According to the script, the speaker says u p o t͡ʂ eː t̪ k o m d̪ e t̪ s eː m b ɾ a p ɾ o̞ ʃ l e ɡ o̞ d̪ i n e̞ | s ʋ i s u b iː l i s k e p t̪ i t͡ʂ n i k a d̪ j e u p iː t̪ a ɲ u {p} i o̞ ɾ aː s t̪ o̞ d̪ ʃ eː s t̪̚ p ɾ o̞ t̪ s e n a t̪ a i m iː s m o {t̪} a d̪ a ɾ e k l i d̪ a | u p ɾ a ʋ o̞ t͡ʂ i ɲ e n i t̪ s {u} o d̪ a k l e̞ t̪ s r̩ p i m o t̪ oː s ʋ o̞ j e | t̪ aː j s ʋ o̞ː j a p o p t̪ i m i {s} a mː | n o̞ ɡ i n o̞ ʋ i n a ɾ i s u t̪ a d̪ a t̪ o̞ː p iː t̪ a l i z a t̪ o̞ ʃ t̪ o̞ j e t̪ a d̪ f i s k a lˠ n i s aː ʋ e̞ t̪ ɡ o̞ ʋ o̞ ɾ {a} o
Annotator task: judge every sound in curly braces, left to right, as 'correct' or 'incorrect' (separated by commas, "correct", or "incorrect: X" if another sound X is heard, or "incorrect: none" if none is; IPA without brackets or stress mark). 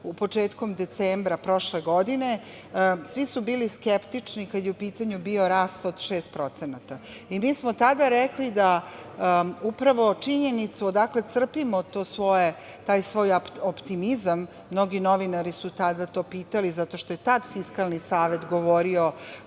incorrect: b, correct, correct, incorrect: z, incorrect: i